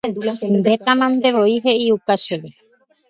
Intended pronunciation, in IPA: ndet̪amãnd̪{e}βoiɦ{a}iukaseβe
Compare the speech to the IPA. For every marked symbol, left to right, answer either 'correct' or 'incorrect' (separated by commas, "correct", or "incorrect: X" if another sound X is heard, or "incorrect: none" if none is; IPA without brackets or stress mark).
correct, incorrect: e